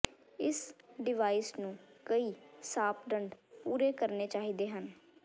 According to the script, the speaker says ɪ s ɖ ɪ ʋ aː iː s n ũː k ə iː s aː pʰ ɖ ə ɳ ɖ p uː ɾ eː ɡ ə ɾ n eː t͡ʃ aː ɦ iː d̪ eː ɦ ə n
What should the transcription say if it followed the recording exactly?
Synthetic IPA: ɪ s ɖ ɪ ʋ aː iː s n ũː k ə iː s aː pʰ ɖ ə ɳ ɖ p uː ɾ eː k ə ɾ n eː t͡ʃ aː ɦ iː d̪ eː ɦ ə n